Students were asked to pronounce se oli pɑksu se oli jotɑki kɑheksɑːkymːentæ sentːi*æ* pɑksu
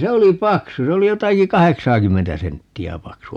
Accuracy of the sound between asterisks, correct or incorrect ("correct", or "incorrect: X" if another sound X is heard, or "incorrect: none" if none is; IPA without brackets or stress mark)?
correct